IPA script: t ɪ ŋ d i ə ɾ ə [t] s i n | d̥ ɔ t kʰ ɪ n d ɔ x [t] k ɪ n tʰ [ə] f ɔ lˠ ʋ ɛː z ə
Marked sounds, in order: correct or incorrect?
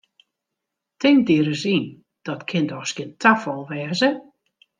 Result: incorrect, incorrect, incorrect

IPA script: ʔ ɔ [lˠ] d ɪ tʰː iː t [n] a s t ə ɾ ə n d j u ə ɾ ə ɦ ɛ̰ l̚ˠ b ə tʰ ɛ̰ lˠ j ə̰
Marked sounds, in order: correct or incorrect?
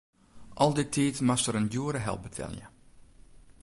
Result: correct, incorrect

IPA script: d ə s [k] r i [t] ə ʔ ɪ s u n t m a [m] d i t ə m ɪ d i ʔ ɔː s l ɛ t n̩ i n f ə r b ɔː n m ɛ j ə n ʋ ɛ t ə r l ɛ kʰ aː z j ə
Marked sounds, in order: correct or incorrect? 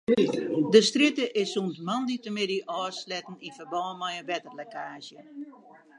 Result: incorrect, correct, incorrect

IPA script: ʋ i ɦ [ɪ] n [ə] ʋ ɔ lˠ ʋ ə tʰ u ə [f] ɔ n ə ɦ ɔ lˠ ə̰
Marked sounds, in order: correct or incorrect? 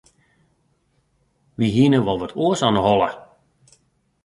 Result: incorrect, correct, incorrect

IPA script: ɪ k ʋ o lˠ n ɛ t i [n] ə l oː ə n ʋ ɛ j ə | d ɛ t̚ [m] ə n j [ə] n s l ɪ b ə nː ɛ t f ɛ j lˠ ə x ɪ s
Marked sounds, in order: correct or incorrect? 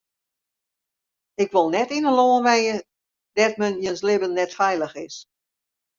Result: correct, correct, correct

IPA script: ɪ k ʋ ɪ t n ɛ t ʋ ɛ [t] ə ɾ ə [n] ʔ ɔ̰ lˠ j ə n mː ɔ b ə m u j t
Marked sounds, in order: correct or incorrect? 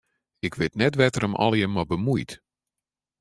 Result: correct, incorrect

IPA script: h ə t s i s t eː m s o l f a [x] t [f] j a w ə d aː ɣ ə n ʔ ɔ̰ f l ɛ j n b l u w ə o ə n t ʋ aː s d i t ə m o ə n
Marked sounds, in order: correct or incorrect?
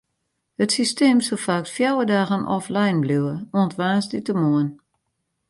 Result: incorrect, correct

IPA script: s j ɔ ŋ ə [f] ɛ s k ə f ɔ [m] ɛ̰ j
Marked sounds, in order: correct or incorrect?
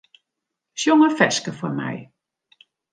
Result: correct, correct

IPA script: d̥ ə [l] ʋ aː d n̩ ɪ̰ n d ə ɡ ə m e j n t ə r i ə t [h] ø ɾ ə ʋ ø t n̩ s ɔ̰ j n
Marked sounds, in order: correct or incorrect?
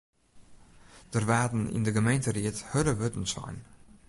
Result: incorrect, correct

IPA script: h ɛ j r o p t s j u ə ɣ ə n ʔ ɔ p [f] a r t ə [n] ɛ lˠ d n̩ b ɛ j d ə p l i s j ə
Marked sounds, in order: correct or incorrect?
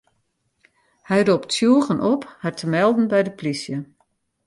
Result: incorrect, incorrect

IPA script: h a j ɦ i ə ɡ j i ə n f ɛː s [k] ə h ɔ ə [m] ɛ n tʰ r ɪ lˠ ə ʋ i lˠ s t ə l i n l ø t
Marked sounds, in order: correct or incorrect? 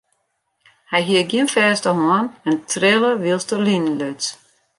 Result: incorrect, incorrect

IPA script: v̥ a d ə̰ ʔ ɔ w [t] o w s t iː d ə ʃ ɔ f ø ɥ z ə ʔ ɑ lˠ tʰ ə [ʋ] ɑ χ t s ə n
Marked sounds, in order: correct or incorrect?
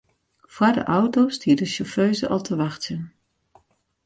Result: correct, correct

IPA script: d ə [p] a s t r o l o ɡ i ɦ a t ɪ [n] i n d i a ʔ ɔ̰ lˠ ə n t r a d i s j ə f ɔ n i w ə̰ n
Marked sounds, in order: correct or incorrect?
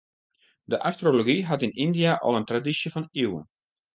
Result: incorrect, correct

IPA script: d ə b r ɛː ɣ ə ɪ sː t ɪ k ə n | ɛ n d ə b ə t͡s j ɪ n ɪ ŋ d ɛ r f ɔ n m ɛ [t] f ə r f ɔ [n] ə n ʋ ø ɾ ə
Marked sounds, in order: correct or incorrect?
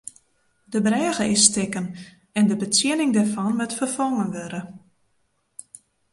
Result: correct, incorrect

